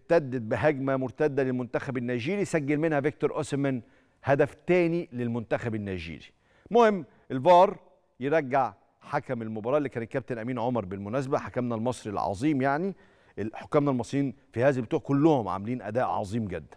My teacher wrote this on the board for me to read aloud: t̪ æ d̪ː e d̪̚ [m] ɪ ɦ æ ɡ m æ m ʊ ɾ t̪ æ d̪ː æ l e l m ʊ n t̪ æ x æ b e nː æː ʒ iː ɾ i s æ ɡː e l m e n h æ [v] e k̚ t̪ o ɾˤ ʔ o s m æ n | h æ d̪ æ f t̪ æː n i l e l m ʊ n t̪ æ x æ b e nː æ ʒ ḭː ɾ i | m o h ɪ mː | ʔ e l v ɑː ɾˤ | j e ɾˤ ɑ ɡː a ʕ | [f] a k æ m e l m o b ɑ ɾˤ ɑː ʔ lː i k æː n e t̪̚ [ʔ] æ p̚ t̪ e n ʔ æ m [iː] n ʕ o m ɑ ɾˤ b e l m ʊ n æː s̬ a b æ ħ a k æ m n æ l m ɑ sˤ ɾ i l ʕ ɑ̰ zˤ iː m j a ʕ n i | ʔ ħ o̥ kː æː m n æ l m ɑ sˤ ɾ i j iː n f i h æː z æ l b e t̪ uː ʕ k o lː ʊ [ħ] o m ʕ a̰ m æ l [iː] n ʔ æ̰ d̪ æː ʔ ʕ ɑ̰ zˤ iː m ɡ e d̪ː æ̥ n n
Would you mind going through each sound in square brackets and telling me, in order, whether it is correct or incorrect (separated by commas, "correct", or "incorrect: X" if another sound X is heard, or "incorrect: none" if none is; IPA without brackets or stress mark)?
incorrect: b, correct, incorrect: ħ, incorrect: k, correct, incorrect: h, correct